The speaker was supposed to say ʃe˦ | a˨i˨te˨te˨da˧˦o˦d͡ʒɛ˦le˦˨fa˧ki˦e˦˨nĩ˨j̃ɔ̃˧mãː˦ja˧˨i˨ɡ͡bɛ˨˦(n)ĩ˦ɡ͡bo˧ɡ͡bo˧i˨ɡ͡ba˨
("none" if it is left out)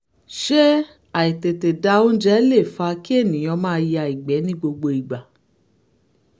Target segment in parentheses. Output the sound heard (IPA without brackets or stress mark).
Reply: n